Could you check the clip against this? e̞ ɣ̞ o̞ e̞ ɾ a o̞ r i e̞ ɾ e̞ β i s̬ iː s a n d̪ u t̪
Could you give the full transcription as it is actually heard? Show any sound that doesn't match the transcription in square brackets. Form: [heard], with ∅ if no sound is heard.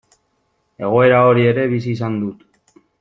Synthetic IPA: e̞ ɣ̞ o̞ e̞ ɾ a o̞ [ɾ] i e̞ ɾ e̞ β i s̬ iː s a n d̪ u t̪